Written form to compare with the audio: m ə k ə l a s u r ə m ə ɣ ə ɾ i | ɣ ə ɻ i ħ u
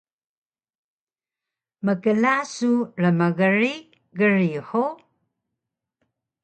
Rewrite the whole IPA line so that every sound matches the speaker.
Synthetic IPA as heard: m ə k ə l a s u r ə m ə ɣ ə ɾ i | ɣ ə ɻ i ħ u